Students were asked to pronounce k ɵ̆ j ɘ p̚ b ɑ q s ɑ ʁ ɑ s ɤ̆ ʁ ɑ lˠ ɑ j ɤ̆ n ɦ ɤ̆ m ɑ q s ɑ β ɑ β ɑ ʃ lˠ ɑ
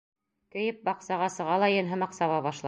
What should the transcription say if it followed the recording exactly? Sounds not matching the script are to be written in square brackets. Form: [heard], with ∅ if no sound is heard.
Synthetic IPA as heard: k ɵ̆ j ɘ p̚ b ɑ q s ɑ ʁ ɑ s ɤ̆ ʁ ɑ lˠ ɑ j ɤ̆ n ɦ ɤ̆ m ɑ q s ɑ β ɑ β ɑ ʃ lˠ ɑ